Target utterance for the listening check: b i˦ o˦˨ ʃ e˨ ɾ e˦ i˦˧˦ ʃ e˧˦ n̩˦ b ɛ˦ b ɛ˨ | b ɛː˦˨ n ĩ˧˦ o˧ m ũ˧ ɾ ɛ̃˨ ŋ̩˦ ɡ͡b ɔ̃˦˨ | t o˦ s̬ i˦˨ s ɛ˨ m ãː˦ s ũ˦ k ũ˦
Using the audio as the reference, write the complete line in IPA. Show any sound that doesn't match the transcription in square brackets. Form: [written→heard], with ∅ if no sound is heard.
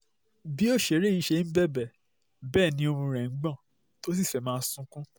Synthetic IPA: b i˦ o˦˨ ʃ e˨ ɾ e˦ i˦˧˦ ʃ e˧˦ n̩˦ b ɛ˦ b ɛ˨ | b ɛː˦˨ n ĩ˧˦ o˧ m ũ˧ ɾ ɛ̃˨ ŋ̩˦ ɡ͡b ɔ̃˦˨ | t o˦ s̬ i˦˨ [s→f] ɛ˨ m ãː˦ s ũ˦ k ũ˦